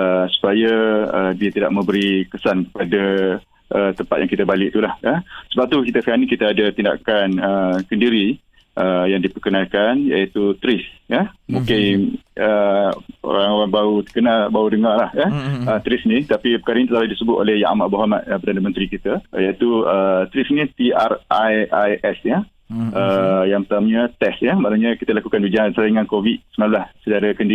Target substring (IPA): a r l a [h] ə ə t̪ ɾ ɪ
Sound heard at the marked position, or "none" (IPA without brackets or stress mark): h